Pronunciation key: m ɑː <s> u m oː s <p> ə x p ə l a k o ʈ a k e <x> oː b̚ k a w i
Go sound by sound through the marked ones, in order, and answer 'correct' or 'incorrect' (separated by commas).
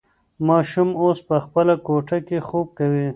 incorrect, correct, correct